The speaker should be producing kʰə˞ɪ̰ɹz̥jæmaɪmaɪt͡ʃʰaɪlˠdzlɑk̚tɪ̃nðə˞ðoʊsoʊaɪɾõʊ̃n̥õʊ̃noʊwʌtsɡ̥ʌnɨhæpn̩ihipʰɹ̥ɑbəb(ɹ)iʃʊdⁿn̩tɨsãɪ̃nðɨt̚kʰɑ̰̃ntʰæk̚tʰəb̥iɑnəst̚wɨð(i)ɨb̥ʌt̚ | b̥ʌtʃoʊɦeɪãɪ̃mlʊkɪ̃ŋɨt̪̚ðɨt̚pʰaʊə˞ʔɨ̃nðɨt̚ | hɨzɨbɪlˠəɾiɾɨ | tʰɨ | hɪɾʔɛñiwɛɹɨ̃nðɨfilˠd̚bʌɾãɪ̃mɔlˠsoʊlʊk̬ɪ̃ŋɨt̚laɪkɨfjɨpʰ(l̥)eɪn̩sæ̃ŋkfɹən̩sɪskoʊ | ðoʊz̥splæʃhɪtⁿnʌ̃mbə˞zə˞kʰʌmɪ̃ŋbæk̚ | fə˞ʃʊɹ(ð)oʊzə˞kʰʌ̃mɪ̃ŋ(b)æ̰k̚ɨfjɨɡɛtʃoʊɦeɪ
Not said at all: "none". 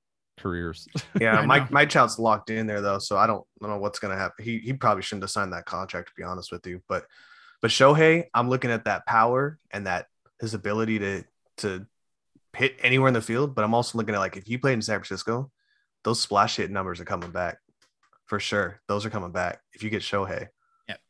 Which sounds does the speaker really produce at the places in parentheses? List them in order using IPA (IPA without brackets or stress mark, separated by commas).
l, j, l̥, ð, b